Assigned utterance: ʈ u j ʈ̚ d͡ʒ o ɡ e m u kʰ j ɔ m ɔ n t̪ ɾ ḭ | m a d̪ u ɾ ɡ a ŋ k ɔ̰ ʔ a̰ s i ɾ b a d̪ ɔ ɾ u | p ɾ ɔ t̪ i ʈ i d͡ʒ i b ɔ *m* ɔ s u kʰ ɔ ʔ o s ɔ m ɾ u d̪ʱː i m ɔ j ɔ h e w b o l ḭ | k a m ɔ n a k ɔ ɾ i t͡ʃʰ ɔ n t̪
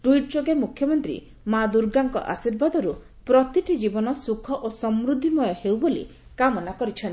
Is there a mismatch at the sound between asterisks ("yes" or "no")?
yes